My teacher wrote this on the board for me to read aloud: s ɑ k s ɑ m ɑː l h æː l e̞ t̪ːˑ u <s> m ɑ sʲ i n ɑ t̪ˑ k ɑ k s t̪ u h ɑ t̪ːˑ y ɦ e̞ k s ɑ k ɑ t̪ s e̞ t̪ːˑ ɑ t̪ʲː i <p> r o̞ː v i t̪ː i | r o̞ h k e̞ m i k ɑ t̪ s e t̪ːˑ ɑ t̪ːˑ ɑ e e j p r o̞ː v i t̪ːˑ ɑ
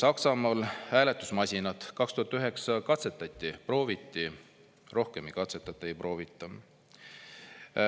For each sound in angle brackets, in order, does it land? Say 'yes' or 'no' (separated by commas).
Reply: yes, yes